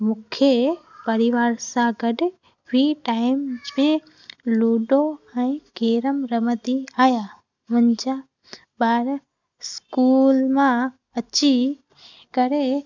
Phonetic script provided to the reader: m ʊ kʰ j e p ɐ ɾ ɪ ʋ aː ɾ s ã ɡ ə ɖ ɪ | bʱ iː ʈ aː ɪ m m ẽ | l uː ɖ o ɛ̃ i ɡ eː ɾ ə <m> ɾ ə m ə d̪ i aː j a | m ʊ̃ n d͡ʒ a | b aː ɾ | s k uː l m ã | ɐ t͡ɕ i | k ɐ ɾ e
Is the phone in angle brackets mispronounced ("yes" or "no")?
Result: no